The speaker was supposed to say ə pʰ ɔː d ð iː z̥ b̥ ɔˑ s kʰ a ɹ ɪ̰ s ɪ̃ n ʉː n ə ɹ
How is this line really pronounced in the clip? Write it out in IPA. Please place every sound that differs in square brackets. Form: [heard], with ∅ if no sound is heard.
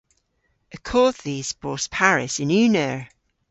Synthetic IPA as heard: ə [kʰ] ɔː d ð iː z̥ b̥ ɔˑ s [pʰ] a ɹ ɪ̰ s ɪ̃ n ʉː n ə ɹ